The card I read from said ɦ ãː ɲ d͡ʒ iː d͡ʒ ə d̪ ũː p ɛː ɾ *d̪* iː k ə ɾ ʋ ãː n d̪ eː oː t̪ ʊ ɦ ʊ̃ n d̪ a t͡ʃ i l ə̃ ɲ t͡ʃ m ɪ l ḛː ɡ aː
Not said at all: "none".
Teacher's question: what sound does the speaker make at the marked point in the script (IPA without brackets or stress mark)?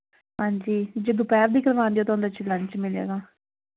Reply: d̪